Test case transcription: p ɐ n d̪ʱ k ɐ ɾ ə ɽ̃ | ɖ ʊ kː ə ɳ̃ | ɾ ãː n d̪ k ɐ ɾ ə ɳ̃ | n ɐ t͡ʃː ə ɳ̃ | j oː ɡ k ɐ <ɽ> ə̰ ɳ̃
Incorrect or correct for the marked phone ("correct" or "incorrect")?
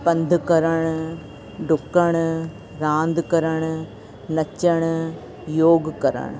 incorrect